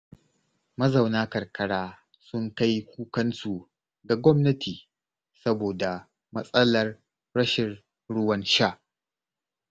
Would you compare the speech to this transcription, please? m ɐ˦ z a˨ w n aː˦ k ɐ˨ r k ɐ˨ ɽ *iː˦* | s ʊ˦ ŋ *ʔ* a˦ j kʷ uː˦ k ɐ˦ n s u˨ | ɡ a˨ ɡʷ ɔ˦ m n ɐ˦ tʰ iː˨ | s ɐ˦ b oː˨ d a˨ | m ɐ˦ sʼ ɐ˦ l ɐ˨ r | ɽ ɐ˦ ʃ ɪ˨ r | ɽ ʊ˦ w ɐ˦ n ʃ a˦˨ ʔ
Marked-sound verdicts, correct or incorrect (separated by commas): incorrect, incorrect